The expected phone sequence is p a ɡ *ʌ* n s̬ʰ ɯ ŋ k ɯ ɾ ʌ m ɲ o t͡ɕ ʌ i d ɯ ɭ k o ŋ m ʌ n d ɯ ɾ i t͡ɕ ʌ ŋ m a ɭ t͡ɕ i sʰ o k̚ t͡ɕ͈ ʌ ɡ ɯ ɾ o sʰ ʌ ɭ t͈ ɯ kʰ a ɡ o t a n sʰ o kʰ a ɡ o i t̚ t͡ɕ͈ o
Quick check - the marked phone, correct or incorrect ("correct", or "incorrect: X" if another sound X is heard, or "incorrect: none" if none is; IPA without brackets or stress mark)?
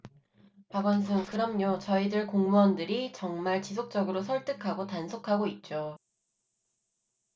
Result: correct